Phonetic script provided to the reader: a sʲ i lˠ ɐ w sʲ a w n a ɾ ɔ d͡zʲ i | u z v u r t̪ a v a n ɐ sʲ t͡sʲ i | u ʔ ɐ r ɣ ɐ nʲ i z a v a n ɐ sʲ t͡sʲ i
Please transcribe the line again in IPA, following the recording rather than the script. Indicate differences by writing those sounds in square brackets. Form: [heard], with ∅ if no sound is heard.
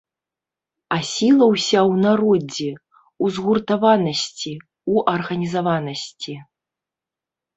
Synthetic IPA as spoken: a sʲ i lˠ ɐ w sʲ a w n a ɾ ɔ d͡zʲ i | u z [ɣ] u r t̪ a v a n ɐ sʲ t͡sʲ i | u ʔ ɐ r ɣ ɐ nʲ i z a v a n ɐ sʲ t͡sʲ i